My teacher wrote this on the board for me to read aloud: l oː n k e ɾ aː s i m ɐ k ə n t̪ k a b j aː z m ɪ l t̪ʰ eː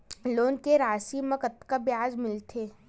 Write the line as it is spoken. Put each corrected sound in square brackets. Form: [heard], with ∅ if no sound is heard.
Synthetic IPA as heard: l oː n k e ɾ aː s i m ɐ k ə [∅] t̪ k a b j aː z m ɪ l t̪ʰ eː

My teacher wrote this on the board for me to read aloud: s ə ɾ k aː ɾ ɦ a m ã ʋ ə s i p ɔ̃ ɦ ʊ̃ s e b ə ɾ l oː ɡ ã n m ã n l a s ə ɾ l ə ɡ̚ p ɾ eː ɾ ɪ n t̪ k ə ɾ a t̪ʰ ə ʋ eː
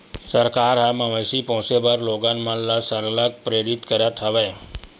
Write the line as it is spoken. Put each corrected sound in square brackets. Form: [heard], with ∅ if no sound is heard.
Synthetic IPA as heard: s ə ɾ k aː ɾ ɦ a m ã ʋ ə s i p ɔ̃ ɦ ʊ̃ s e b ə ɾ l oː ɡ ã n m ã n l a s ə ɾ l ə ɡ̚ p ɾ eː ɾ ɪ [∅] t̪ k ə ɾ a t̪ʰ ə ʋ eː

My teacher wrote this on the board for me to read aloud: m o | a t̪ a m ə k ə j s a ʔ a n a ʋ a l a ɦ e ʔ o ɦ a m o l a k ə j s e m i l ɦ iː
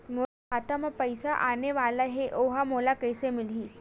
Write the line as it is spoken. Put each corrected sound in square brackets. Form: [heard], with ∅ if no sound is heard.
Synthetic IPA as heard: m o | a t̪ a m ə [p] ə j s a ʔ a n [e] ʋ a l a ɦ e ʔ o ɦ a m o l a k ə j s e m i l ɦ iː

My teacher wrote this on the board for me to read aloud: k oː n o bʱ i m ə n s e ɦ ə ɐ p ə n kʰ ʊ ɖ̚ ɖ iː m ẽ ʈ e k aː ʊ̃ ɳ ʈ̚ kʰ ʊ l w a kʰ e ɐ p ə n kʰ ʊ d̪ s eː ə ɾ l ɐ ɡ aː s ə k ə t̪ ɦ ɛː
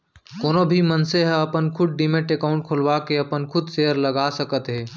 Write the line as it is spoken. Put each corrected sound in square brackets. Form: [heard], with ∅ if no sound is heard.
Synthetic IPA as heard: k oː n o bʱ i m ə n s e ɦ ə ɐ p ə n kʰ ʊ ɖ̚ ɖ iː m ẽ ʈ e k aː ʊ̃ ɳ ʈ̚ kʰ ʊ l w a [k] e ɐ p ə n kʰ ʊ d̪ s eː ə ɾ l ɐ ɡ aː s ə k ə t̪ ɦ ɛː

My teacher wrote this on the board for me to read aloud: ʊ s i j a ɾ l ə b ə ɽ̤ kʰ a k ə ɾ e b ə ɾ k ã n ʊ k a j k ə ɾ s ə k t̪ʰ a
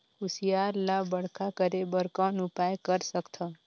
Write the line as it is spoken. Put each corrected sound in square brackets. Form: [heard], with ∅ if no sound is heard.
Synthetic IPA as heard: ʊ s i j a ɾ l [a] b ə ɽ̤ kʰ a k ə ɾ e b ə ɾ k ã n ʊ [p] a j k ə ɾ s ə k t̪ʰ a

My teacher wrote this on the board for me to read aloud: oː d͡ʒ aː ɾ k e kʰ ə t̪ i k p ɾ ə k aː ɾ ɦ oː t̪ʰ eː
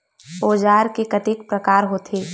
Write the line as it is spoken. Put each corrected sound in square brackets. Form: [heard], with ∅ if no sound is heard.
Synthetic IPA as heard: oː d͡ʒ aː ɾ k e [k] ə t̪ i k p ɾ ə k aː ɾ ɦ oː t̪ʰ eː

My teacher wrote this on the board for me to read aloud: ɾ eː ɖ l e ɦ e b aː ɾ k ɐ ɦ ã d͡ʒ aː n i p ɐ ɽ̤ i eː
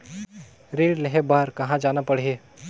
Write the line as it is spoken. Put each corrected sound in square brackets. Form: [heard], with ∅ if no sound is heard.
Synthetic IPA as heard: ɾ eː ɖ l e ɦ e b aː ɾ k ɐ ɦ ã d͡ʒ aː n [a] p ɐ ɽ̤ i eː

